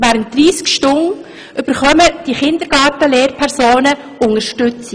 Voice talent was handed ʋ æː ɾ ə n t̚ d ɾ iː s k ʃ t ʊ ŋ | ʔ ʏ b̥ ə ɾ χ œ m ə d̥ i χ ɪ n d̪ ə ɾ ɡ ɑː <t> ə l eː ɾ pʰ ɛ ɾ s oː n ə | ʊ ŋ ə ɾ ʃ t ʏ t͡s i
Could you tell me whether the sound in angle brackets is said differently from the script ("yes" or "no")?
no